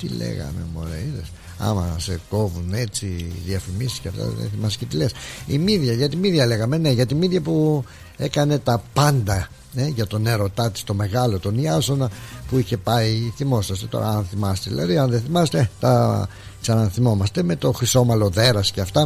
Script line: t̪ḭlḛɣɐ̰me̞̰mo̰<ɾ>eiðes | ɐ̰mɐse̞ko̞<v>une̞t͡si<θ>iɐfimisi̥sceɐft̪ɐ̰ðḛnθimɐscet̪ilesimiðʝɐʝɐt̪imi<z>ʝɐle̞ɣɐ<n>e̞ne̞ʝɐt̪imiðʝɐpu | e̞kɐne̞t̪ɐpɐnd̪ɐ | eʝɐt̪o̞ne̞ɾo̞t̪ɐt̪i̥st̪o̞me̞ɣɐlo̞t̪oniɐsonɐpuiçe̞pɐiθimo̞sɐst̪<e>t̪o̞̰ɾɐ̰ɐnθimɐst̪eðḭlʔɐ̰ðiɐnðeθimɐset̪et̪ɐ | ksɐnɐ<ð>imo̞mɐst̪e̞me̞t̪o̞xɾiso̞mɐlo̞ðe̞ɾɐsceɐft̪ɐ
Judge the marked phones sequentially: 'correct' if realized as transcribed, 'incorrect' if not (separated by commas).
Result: correct, correct, incorrect, incorrect, incorrect, correct, incorrect